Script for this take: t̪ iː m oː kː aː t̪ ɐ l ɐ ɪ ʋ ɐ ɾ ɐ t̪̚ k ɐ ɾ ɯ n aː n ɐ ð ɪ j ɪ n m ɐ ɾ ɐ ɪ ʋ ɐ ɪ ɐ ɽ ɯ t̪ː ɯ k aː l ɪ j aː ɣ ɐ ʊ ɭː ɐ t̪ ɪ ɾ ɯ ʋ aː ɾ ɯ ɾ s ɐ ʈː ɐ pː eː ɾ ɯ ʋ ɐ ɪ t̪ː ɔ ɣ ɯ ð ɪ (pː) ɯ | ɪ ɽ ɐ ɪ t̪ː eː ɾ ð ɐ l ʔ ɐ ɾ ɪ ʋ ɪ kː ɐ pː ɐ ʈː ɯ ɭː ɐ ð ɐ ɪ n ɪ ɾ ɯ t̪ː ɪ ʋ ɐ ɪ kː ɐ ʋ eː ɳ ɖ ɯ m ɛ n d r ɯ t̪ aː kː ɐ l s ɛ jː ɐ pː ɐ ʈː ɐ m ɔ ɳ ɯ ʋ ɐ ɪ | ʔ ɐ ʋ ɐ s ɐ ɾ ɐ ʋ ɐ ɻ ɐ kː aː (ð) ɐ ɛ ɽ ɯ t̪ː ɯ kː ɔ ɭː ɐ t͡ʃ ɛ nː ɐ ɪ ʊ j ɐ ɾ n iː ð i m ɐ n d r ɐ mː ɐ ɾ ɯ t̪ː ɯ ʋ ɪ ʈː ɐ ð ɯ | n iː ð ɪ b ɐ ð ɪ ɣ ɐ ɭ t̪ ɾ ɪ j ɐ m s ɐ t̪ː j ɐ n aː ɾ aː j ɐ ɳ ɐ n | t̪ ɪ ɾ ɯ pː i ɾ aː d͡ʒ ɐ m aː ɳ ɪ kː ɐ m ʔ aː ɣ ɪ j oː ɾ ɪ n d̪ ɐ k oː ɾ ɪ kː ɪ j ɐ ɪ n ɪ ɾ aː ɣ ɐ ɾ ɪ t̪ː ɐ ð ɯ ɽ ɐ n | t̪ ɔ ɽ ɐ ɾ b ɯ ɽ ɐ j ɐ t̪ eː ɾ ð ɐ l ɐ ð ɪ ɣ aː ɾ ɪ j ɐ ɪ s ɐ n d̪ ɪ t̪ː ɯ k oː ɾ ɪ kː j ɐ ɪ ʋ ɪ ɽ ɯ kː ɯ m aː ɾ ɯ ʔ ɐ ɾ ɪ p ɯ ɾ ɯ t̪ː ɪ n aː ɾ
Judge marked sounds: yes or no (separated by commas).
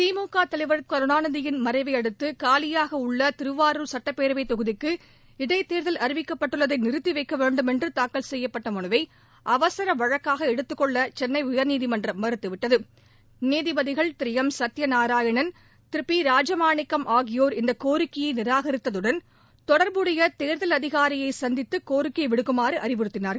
no, no